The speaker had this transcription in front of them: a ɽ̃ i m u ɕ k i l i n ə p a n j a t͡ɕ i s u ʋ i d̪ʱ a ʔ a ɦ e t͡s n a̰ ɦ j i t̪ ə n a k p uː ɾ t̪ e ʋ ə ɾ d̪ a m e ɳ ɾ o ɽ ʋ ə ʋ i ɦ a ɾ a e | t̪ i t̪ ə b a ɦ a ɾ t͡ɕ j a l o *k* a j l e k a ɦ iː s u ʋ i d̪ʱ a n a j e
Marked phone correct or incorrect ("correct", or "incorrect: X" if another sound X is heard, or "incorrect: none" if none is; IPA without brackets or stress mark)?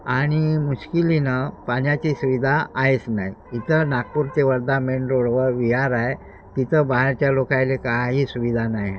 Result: correct